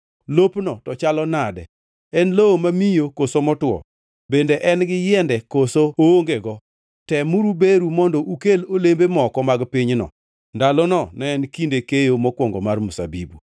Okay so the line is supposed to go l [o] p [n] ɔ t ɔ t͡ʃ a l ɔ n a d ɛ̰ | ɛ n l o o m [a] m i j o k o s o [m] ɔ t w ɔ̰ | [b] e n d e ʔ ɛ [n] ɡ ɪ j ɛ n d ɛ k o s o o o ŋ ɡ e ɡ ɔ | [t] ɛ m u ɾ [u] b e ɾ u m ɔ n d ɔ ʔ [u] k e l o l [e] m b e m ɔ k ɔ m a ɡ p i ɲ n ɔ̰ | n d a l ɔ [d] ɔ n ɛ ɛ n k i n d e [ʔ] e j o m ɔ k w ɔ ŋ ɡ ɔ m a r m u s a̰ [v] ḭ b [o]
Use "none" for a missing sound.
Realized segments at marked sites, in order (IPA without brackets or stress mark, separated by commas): o, n, a, m, b, n, t, u, u, e, n, k, b, u